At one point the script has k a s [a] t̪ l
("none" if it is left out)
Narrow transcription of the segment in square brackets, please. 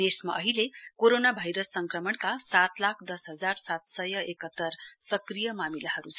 a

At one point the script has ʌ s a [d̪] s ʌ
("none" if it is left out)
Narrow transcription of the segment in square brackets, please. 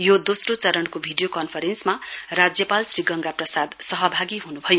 d̪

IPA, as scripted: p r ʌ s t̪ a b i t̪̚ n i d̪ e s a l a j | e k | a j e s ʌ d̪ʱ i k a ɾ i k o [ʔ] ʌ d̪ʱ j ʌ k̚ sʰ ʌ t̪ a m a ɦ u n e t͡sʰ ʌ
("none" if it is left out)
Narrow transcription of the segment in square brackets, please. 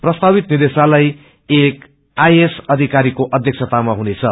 ʔ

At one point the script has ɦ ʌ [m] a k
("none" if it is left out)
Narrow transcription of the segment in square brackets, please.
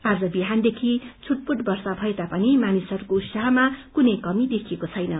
m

